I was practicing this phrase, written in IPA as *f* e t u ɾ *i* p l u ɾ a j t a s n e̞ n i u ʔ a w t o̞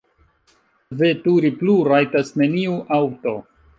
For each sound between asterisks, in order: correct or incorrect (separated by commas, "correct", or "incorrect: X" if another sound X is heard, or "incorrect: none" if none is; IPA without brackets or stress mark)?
incorrect: v, correct